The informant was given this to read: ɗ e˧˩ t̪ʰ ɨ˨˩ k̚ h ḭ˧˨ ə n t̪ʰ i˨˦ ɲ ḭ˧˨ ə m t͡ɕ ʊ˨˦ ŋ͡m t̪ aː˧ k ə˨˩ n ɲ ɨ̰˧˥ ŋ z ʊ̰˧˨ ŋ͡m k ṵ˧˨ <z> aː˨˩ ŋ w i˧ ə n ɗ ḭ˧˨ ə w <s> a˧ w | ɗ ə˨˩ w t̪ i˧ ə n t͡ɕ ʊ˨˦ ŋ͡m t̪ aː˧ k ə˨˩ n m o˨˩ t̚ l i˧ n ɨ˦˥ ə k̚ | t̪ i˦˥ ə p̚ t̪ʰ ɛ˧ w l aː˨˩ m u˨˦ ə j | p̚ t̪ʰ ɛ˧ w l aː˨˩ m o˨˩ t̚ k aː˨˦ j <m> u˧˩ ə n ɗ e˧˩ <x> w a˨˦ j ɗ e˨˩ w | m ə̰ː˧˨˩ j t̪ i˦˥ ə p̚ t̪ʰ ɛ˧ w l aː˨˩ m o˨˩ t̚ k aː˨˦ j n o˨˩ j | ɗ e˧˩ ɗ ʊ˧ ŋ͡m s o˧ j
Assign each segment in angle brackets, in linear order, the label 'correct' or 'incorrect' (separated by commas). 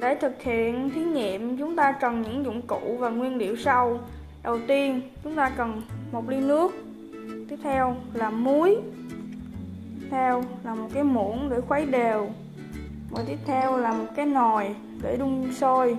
incorrect, correct, correct, correct